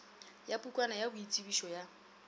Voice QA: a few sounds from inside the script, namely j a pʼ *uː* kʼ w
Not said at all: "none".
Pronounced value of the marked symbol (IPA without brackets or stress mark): u